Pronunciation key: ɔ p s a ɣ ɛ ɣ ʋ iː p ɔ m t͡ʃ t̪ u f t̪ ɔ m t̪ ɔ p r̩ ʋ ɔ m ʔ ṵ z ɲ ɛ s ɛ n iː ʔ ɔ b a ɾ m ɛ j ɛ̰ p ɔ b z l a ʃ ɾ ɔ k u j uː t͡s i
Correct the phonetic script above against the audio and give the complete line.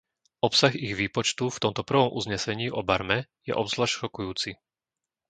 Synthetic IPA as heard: ɔ p s a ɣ i ɣ ʋ iː p ɔ t͡ʃ t̪ u f t̪ ɔ m t̪ ɔ p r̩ ʋ ɔ m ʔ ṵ z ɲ ɛ s ɛ ɲ iː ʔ ɔ b a ɾ m ɛ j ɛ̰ ʔ ɔ b z l a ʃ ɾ ɔ k u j uː t͡s i